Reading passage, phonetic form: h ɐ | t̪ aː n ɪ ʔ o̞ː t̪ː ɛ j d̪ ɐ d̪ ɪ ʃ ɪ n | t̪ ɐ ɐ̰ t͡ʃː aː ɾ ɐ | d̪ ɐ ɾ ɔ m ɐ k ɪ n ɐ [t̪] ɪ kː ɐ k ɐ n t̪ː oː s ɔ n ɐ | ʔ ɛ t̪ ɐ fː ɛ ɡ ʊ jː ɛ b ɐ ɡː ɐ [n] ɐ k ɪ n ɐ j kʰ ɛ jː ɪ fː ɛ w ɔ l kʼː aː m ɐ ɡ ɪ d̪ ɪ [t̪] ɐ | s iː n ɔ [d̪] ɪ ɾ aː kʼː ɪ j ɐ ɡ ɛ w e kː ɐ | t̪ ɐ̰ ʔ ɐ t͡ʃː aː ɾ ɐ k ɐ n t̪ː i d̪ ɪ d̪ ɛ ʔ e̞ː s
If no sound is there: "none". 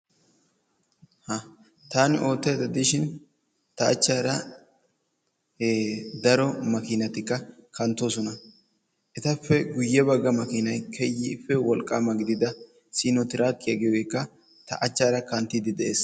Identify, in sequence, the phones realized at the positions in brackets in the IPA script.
t̪, m, d̪, t̪

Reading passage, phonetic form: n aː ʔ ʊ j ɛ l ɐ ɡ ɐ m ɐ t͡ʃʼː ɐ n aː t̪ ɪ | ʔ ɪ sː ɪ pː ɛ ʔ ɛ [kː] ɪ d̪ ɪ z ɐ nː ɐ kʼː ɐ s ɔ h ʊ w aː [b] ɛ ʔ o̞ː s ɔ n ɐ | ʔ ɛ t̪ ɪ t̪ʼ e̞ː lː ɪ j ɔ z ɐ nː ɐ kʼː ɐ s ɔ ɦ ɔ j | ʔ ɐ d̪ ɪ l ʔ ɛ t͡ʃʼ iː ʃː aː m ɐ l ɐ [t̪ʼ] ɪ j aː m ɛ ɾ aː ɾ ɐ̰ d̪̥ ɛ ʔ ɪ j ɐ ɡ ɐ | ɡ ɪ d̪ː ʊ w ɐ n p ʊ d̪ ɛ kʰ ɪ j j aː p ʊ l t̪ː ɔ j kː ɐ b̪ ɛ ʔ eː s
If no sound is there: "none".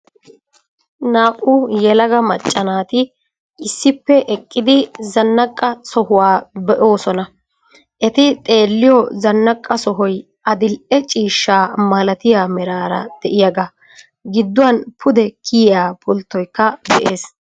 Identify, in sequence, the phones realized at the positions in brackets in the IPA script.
kʼː, b, t̪

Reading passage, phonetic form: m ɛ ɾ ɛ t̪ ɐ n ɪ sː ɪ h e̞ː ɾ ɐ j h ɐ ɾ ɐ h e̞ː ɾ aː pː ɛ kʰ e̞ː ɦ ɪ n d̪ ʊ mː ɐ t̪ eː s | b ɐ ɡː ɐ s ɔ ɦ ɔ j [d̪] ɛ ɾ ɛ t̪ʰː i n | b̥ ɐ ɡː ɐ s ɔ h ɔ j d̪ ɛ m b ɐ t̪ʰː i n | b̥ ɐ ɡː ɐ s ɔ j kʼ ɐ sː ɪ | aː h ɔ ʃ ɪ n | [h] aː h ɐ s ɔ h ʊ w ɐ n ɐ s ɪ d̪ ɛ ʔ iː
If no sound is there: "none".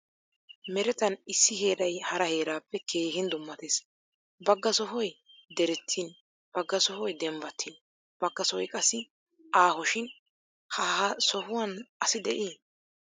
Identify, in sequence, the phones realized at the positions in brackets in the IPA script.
d̪, h

